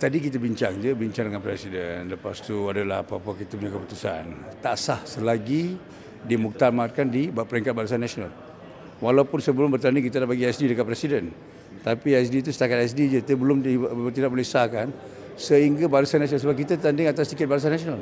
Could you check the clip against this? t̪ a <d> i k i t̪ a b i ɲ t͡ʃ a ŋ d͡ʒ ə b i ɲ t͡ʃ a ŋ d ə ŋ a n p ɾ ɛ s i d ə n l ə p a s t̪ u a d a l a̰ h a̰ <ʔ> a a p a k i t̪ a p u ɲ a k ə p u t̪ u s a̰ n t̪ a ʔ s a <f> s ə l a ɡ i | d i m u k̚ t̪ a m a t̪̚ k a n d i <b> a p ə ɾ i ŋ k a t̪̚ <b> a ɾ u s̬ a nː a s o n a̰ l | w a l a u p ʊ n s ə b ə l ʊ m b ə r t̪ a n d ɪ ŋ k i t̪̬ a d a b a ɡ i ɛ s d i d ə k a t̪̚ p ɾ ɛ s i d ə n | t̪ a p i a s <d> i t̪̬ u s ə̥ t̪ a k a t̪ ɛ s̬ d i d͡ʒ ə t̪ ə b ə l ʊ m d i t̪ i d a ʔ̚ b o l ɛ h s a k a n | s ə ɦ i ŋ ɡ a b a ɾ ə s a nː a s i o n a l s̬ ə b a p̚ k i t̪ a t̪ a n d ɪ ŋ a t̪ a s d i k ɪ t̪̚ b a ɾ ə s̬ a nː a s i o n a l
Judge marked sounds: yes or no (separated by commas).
yes, no, no, yes, yes, yes